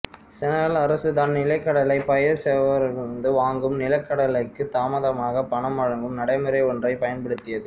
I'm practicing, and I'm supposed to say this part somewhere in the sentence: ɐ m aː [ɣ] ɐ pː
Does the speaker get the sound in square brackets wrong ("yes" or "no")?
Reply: no